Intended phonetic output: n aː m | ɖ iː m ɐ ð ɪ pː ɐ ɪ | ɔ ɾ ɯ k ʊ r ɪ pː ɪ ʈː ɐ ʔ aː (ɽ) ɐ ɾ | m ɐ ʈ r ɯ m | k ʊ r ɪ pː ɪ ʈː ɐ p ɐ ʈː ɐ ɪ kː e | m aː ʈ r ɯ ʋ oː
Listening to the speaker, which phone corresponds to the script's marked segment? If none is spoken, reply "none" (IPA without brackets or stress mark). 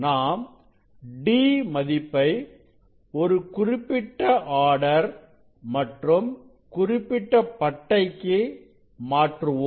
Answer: ɽ